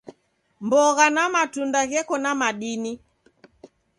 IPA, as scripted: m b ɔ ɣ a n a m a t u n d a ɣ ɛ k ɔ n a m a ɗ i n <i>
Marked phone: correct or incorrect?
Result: correct